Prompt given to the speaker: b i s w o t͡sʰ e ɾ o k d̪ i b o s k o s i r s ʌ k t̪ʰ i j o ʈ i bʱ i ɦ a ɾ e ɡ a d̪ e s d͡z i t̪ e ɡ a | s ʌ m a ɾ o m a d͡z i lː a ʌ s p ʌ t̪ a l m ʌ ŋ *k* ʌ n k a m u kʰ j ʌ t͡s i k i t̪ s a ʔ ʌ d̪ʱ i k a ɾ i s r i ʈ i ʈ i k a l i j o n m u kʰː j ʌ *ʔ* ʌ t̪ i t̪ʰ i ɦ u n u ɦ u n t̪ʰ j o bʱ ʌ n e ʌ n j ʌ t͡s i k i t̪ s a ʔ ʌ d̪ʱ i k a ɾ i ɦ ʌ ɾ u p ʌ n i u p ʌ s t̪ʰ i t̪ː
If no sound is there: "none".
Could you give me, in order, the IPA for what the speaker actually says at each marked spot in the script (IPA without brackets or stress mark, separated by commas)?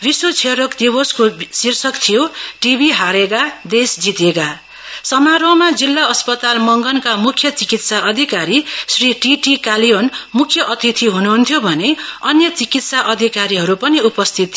ɡ, ʔ